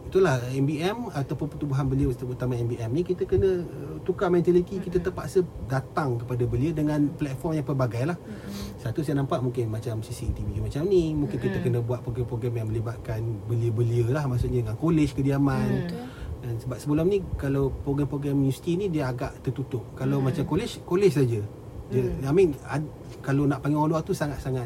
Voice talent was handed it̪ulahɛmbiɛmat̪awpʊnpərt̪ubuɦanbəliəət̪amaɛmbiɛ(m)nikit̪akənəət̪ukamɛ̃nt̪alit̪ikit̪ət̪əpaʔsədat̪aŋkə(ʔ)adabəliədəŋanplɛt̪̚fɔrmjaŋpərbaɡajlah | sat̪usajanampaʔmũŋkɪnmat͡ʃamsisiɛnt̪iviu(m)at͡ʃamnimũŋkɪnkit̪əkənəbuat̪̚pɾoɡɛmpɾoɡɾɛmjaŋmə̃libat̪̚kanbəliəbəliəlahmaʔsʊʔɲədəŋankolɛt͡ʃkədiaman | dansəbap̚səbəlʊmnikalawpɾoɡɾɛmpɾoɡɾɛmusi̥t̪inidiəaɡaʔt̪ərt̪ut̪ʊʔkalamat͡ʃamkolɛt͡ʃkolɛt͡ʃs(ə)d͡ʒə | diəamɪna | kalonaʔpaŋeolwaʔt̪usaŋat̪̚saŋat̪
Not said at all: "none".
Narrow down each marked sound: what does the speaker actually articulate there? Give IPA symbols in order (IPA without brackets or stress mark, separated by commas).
m, p, m, a